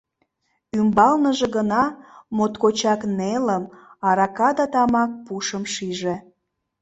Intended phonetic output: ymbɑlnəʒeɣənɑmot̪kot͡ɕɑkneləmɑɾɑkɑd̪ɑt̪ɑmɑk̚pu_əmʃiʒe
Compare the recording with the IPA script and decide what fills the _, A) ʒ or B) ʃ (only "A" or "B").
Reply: B